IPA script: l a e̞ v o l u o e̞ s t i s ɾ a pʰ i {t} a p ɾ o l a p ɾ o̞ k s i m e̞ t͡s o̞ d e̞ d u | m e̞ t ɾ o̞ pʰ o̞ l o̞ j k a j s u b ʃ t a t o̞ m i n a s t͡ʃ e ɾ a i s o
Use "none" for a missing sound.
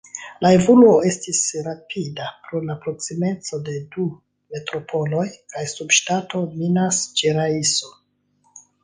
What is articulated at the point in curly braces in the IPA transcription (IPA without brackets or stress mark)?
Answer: d